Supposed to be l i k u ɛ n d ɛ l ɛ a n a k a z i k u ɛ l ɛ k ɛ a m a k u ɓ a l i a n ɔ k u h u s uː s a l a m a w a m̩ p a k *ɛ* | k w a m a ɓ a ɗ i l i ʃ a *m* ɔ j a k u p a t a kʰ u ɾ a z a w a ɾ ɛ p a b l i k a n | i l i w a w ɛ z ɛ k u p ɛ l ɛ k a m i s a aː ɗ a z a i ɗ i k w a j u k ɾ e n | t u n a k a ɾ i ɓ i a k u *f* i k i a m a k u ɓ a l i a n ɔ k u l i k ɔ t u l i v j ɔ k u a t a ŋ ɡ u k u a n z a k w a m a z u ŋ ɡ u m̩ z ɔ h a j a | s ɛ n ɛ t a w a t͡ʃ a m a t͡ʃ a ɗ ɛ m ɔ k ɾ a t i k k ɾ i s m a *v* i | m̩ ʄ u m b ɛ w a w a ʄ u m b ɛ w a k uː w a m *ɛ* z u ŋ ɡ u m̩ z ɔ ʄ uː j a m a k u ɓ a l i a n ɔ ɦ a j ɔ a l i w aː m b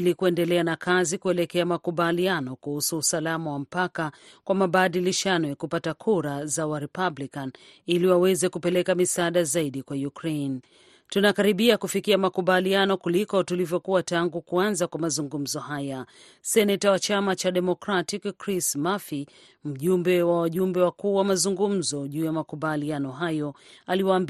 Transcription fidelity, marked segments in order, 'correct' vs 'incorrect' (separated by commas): incorrect, incorrect, correct, incorrect, incorrect